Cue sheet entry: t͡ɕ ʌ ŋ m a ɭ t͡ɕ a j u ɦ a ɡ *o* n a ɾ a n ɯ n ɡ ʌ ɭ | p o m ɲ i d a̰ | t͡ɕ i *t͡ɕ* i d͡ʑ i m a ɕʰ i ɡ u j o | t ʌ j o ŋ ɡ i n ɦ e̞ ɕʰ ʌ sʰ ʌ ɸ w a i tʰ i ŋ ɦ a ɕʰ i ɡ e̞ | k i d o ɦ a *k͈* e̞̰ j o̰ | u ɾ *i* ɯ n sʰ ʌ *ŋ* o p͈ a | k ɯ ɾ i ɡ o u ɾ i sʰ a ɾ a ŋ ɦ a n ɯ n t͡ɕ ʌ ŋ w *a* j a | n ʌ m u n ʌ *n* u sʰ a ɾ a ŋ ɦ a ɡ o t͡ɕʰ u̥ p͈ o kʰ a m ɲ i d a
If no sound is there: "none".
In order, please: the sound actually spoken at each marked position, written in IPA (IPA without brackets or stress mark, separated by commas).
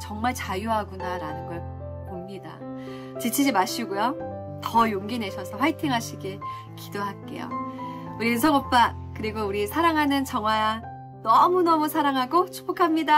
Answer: u, t͡ɕʰ, k͈, i, ŋ, a, m